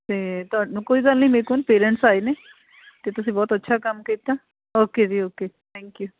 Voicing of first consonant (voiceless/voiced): voiceless